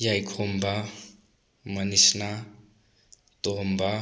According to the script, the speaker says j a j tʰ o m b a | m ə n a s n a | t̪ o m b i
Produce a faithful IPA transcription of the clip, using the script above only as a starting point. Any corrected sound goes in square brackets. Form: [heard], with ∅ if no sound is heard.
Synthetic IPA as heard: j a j [kʰ] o m b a | m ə n [i] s n a | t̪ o m b [a]